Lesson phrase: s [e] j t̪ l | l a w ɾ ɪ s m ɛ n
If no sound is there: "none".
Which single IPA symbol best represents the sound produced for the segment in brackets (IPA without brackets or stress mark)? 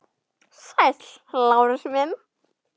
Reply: a